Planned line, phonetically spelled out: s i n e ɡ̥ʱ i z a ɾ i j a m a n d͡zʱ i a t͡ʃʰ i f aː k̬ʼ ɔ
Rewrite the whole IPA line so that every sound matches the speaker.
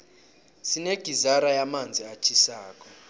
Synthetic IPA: s i n e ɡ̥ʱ i z a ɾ a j a m a n d͡zʱ i a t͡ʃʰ i s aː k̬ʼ ɔ